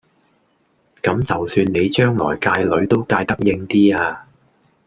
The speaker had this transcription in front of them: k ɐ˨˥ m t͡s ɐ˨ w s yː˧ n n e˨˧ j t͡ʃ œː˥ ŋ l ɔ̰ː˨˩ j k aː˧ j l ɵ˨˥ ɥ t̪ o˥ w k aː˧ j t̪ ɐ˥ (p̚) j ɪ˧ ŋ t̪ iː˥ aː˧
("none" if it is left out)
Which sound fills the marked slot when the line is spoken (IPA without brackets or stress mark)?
k̚